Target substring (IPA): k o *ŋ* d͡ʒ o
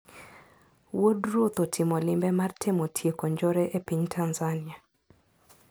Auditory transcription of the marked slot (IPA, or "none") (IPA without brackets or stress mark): ɲ